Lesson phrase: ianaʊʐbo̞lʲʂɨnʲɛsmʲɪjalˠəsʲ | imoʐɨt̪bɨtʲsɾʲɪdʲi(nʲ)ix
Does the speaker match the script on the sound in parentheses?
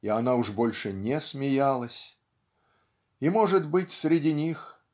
yes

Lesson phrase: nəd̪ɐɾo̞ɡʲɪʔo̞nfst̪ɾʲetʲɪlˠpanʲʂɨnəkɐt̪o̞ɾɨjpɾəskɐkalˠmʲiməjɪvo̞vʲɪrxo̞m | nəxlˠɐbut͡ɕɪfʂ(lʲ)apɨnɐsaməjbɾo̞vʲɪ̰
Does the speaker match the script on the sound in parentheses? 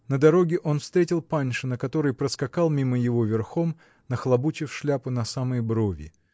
yes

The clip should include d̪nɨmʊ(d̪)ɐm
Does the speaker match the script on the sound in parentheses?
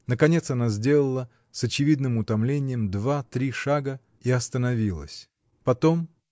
no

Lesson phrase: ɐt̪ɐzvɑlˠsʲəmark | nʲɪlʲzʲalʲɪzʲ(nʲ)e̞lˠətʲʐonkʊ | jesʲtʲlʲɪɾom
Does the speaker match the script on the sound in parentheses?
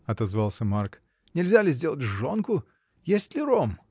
no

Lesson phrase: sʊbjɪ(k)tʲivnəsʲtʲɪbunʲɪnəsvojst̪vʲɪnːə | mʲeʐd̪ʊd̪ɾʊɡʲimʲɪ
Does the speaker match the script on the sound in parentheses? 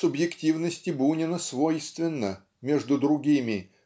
yes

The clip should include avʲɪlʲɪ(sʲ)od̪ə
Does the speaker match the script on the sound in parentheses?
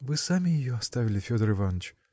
no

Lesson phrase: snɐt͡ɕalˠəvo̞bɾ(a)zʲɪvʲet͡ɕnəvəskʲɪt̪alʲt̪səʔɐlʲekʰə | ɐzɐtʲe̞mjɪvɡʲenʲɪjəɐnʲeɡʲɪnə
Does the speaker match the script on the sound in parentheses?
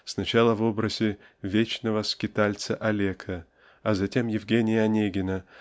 no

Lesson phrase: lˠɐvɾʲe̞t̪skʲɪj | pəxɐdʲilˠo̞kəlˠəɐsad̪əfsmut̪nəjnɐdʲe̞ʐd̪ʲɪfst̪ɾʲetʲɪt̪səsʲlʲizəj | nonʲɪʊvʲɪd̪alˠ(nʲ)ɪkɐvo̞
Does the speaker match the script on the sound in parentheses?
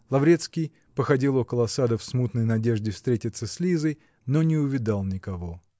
yes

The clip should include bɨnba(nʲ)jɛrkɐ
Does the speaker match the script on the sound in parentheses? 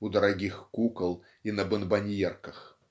yes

